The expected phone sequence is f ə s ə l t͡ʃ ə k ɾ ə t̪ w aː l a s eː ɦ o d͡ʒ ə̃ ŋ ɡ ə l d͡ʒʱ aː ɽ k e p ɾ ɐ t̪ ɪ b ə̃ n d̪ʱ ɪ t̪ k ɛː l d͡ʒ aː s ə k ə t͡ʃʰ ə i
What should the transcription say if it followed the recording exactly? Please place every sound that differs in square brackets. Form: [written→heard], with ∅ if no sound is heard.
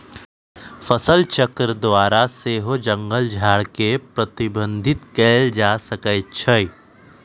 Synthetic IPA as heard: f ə s ə l t͡ʃ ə k ɾ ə [t̪→d̪] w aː [l→ɾ] a s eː ɦ o d͡ʒ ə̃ ŋ ɡ ə l d͡ʒʱ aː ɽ k e p ɾ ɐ t̪ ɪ b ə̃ n d̪ʱ ɪ t̪ k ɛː l d͡ʒ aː s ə k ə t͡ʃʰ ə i